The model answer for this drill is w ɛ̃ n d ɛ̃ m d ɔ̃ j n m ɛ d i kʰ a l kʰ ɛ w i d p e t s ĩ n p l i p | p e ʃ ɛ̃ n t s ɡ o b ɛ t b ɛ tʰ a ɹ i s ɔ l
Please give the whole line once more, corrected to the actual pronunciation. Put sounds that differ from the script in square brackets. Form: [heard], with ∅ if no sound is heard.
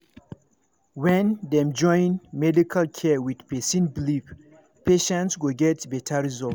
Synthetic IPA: w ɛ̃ n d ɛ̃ m [d͡ʒ] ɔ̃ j n m ɛ d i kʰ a l kʰ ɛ w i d p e [∅] s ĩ n [b] l i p | p e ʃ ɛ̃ n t s ɡ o [ɡ] ɛ t b ɛ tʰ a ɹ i [z] ɔ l